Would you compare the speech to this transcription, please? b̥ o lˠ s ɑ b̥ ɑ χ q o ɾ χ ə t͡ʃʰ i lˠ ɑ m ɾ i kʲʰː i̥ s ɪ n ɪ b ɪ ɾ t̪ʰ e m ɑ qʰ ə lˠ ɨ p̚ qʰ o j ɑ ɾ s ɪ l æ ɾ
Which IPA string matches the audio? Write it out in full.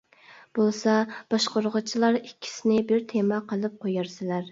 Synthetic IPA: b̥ o lˠ s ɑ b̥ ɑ ʃ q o ɾ ʁ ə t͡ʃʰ i lˠ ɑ ɾ i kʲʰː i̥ s ɪ n ɪ b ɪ ɾ t̪ʰ e m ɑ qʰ ə lˠ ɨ p̚ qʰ o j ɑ ɾ s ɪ l æ ɾ